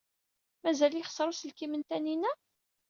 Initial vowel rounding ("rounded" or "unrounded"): unrounded